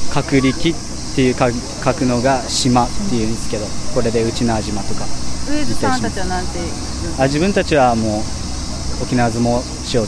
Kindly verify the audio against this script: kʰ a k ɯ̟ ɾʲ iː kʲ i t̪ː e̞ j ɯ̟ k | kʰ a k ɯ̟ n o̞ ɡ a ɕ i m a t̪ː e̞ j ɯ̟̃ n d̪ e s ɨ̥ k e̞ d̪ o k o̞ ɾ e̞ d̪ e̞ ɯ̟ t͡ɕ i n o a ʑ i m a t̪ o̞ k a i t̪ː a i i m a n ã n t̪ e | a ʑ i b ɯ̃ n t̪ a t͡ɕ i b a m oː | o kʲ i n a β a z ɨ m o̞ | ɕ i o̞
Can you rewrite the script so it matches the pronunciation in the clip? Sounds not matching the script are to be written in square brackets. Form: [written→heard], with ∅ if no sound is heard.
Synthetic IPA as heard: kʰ a k ɯ̟ ɾʲ [iː→i] kʲ i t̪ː e̞ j ɯ̟ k | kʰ a k ɯ̟ n o̞ ɡ a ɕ i m a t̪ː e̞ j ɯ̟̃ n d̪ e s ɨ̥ k e̞ d̪ o k o̞ ɾ e̞ d̪ e̞ ɯ̟ t͡ɕ i n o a ʑ i m a t̪ o̞ k a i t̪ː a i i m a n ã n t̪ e | a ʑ i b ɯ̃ n t̪ a t͡ɕ i [b→β] a m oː | o kʲ i n a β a z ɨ m o̞ | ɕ i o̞